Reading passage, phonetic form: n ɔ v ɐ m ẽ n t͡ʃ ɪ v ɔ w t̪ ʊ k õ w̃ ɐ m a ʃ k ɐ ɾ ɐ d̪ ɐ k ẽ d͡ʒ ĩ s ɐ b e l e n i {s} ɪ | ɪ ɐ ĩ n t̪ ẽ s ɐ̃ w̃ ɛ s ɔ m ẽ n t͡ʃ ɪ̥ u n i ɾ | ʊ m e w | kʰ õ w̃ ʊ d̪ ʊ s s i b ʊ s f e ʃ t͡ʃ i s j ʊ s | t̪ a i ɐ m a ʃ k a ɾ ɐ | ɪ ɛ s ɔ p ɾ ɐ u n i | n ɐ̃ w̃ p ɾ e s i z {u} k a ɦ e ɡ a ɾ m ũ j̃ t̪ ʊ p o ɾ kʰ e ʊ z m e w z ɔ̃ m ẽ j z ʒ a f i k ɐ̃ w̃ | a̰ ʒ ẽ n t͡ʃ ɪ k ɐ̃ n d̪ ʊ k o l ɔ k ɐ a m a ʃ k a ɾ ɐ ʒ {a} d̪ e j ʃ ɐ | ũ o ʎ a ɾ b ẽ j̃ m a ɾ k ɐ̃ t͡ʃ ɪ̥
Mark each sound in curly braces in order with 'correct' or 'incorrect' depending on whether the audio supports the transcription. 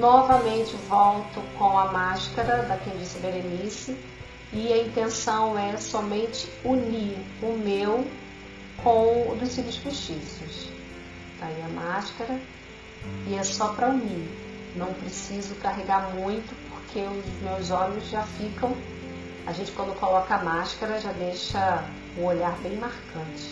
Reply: correct, incorrect: ʊ, correct

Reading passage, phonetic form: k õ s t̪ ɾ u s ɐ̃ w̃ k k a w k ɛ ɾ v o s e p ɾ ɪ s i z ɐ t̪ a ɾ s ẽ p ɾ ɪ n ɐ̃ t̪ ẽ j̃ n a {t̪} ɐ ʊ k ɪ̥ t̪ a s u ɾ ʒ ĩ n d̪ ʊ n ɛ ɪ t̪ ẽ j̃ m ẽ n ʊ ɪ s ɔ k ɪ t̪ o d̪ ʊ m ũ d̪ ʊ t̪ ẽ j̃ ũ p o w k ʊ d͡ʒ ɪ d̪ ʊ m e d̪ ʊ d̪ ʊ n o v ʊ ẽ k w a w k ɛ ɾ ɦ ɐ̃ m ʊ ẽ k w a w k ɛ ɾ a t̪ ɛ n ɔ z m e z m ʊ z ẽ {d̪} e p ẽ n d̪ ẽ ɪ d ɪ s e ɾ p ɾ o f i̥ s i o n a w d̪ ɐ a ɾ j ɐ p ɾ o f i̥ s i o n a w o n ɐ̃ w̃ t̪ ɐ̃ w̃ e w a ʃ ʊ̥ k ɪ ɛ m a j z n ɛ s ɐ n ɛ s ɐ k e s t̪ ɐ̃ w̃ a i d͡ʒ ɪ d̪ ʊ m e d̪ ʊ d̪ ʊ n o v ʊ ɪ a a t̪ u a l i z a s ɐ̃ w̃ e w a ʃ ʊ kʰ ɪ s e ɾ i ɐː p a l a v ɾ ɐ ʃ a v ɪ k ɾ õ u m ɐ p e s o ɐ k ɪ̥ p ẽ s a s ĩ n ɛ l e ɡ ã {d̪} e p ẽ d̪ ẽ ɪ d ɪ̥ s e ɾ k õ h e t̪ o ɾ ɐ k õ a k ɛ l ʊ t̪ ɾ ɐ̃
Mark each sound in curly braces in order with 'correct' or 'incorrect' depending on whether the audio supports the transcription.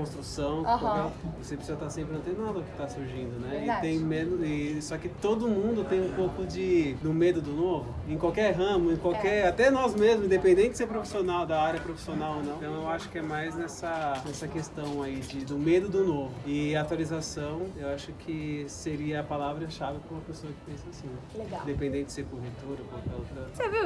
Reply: incorrect: d̪, correct, correct

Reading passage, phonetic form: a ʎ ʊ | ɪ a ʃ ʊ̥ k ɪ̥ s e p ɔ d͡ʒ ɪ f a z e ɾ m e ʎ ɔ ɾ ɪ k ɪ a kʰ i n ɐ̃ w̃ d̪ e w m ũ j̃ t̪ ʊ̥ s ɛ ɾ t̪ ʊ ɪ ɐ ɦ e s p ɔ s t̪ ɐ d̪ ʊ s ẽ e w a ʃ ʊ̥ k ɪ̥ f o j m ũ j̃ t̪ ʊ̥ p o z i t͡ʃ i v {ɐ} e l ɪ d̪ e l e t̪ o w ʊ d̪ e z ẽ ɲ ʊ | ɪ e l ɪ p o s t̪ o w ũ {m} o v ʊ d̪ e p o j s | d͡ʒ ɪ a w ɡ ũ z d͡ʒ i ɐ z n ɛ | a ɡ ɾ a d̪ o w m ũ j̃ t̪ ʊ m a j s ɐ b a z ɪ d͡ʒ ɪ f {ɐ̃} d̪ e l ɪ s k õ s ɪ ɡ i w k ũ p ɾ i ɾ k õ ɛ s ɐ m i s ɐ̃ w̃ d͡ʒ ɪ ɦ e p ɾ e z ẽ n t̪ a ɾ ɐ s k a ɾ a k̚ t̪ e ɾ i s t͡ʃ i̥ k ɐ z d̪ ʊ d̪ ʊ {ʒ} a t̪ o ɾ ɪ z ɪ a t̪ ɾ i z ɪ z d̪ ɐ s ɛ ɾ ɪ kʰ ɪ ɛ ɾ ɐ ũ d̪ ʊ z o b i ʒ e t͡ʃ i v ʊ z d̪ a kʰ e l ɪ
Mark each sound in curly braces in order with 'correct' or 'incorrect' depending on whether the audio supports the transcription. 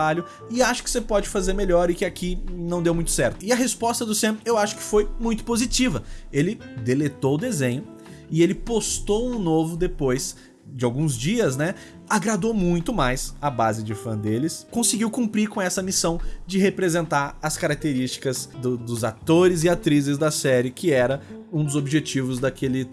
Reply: correct, incorrect: n, correct, incorrect: z

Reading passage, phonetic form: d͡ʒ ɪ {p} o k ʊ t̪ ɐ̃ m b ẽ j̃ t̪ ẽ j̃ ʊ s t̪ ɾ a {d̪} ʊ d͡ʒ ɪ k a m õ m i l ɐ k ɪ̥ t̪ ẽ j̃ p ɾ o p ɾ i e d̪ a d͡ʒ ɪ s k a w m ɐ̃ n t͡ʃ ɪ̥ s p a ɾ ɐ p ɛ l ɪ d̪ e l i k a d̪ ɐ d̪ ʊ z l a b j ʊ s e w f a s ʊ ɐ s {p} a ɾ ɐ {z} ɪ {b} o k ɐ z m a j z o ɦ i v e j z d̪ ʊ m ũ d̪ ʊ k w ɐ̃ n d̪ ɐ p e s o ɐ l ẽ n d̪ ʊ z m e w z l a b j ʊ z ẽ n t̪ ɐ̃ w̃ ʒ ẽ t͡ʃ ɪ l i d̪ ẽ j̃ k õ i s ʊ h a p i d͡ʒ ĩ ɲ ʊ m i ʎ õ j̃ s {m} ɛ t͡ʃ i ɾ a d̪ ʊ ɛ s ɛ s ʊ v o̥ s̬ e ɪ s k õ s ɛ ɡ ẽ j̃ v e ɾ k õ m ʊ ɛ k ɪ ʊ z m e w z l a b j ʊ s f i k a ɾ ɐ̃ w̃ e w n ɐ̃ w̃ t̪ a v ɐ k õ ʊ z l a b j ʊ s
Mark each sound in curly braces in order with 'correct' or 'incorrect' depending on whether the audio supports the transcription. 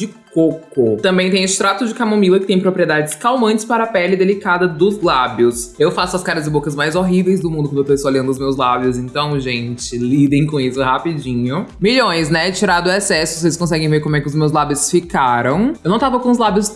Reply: incorrect: k, incorrect: t̪, incorrect: k, correct, correct, incorrect: n

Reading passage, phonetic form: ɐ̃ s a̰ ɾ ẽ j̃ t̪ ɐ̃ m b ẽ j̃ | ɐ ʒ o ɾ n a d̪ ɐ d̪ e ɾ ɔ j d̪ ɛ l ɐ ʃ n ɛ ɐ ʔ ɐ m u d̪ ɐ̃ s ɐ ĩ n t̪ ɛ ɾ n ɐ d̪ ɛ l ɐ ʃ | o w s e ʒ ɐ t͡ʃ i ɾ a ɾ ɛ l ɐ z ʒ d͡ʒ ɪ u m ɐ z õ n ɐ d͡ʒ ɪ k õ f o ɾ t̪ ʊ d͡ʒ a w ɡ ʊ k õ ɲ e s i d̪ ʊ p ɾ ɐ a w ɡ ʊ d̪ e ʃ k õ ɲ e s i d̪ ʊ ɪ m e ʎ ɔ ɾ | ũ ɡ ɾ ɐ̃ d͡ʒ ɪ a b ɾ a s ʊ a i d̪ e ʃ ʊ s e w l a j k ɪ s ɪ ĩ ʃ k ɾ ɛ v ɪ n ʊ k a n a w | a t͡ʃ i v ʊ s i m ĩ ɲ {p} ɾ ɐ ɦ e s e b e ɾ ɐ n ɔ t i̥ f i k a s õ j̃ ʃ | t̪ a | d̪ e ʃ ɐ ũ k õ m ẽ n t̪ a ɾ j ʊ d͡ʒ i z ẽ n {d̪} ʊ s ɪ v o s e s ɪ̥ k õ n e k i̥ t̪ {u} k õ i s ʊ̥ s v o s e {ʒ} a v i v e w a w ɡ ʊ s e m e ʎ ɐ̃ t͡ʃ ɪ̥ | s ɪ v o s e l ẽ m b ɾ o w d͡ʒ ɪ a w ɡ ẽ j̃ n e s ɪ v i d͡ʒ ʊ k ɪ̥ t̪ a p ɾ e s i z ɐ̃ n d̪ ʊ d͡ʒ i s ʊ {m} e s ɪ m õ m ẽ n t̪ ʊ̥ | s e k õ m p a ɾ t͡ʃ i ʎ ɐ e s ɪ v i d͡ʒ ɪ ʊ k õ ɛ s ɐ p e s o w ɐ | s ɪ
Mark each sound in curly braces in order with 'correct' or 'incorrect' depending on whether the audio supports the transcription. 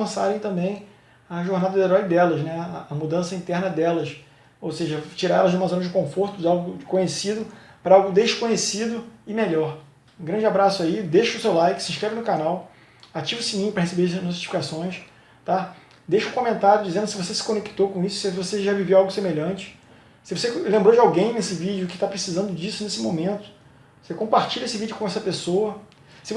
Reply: correct, correct, incorrect: o, correct, incorrect: n

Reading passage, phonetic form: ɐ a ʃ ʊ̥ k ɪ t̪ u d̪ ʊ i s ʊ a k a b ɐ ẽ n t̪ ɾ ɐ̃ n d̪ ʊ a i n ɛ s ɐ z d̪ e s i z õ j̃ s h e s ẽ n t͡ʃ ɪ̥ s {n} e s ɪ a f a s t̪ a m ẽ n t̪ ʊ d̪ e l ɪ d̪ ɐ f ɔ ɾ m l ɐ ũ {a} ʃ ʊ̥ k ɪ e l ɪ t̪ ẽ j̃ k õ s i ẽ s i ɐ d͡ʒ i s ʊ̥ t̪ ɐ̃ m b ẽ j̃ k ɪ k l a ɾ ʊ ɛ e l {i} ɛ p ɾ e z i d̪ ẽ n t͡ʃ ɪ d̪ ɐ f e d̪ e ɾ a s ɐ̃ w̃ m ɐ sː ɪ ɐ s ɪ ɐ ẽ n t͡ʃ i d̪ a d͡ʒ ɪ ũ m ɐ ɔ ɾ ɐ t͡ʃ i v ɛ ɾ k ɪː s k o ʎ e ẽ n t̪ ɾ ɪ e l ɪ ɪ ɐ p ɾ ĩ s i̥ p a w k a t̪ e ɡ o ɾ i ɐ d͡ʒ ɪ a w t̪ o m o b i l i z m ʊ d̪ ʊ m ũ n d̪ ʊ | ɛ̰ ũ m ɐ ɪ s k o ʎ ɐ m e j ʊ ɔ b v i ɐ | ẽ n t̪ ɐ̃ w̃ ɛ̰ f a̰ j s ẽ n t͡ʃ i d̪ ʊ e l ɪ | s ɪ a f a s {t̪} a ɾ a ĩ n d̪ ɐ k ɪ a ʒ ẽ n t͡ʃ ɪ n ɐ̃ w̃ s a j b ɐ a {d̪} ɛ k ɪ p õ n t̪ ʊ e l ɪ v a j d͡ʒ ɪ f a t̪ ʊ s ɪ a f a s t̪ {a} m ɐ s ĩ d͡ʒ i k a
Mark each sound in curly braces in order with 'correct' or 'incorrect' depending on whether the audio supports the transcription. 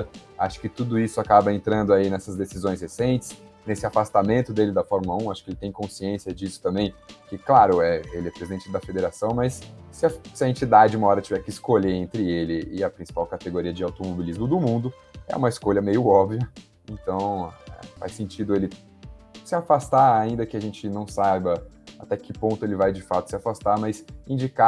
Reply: correct, correct, incorrect: ɪ, correct, incorrect: t̪, correct

